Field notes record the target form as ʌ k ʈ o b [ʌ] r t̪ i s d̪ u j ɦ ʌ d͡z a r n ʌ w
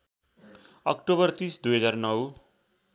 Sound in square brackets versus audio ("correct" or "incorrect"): correct